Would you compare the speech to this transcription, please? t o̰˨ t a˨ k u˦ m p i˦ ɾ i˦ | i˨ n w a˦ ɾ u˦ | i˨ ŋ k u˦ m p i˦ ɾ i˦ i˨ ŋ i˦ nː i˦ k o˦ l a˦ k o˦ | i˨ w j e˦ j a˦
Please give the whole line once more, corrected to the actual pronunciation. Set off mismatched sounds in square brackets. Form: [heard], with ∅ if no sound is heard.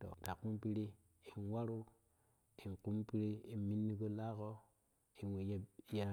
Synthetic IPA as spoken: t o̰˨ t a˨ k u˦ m p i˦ ɾ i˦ | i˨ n w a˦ ɾ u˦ | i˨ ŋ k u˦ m p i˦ ɾ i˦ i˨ [m] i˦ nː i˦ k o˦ l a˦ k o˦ | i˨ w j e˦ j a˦